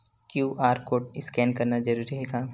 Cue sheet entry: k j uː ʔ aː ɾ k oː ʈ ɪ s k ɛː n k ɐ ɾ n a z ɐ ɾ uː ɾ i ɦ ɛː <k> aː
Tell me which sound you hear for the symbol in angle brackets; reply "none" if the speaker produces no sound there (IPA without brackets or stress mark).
ɡ